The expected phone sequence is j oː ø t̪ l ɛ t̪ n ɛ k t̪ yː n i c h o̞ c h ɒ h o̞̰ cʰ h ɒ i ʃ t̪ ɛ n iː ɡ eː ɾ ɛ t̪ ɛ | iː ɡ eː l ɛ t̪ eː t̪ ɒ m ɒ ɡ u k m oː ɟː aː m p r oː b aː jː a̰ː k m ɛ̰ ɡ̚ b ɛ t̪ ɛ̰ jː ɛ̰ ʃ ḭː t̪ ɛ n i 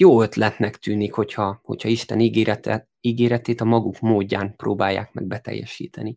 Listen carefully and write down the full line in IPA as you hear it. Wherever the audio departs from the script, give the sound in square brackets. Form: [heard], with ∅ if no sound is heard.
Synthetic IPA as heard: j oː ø t̪ l ɛ t̪ n ɛ k t̪ yː n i [k] h o̞ c h ɒ h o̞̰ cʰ h ɒ i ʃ t̪ ɛ n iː ɡ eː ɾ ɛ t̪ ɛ | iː ɡ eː [ɾ] ɛ t̪ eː t̪ ɒ m ɒ ɡ u k m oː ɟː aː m p r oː b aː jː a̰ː k m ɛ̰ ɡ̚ b ɛ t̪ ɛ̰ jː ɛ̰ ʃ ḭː t̪ ɛ n i